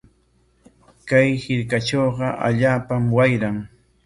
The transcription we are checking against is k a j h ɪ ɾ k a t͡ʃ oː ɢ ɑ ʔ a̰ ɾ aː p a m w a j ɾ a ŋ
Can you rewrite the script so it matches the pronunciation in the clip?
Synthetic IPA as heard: k a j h ɪ ɾ k a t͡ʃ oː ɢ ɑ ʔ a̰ ʎ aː p a m w a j ɾ a ŋ